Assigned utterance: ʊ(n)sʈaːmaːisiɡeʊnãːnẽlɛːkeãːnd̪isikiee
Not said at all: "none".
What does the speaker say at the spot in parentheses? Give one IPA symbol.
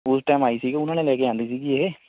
none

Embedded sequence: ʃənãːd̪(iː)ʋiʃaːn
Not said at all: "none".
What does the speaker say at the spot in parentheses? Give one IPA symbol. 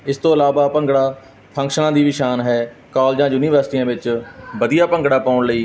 iː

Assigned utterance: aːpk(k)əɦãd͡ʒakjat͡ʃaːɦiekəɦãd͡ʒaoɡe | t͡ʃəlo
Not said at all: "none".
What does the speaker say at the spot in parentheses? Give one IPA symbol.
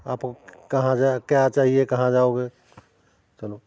k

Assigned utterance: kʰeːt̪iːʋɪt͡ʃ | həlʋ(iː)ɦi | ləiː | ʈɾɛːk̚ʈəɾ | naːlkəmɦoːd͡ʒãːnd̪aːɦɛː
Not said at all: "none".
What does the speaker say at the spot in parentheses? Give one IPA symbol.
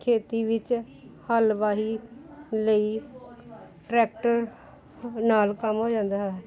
aː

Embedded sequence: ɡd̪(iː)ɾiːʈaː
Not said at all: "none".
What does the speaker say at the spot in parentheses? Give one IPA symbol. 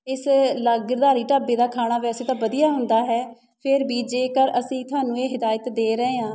aː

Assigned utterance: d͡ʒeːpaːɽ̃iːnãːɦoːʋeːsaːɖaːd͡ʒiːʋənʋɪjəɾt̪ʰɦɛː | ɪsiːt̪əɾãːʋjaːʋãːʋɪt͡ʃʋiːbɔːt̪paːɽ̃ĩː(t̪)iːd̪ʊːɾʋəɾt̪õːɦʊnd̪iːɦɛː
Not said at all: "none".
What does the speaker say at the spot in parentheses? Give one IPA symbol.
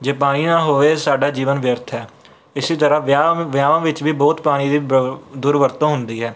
d̪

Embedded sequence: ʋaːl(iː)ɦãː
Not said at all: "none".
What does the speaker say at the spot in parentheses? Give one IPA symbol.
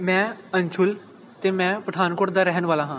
aː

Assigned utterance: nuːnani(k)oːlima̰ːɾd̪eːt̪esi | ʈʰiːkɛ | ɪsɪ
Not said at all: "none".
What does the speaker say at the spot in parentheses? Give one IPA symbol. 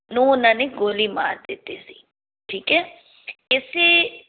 ɡ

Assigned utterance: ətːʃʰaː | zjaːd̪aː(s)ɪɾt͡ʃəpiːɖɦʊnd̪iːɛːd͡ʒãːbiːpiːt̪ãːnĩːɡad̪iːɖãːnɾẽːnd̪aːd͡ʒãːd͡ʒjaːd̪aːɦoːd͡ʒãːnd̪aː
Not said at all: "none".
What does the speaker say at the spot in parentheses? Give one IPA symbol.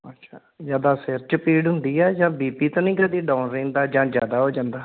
s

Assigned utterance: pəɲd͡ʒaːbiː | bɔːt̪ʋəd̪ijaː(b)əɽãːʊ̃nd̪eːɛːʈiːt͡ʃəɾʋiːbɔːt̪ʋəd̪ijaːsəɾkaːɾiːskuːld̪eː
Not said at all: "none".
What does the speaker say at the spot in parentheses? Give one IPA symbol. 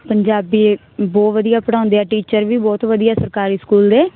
p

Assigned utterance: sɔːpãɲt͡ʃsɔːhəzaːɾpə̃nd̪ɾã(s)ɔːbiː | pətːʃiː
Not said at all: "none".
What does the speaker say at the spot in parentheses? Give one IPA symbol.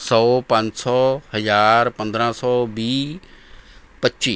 s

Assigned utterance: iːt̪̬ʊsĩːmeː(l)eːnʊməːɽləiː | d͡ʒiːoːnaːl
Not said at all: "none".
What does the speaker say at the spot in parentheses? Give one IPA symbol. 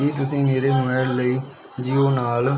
ɾ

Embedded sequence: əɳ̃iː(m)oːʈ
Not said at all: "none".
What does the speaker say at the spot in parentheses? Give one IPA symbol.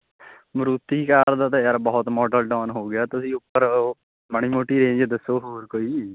m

